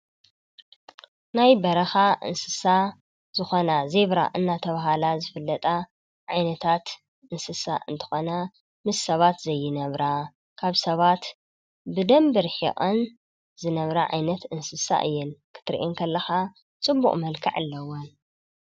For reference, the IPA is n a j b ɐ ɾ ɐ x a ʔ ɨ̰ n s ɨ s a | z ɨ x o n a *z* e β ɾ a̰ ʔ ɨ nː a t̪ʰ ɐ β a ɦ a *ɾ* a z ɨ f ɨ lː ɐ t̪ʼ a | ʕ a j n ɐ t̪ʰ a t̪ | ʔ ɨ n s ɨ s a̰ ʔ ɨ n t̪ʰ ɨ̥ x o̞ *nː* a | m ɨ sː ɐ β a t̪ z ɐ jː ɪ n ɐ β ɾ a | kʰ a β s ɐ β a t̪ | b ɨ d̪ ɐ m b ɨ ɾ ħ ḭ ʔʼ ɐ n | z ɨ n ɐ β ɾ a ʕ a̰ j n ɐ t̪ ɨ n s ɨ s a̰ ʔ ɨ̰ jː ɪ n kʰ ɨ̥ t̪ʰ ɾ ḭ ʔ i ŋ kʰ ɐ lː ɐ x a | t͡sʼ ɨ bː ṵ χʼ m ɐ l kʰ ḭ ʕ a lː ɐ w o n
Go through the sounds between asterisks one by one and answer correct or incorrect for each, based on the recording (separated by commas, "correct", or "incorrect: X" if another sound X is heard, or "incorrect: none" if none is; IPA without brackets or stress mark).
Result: correct, incorrect: l, incorrect: n